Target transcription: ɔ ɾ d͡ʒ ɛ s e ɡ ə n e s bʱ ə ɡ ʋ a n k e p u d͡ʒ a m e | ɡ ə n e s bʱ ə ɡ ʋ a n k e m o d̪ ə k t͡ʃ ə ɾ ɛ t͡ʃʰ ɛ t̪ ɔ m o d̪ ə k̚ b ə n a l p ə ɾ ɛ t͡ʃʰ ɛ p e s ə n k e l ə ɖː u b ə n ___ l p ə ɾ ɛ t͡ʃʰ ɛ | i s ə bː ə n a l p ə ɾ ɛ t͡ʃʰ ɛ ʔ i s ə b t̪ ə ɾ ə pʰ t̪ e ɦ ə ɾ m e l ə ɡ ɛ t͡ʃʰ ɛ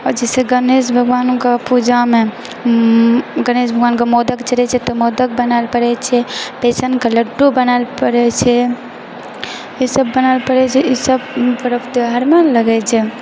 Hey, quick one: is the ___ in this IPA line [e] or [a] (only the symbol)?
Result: a